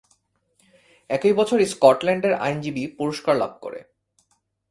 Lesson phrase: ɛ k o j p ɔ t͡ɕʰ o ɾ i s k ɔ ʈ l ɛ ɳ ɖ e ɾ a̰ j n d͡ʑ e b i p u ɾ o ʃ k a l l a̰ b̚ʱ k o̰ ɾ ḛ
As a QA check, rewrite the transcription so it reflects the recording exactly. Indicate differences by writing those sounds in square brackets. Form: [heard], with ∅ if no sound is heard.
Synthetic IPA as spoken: ɛ k o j [b] ɔ t͡ɕʰ o ɾ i s k ɔ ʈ l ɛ ɳ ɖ e ɾ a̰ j n d͡ʑ [i] b i p u ɾ o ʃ k a [ɾ] l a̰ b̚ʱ k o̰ ɾ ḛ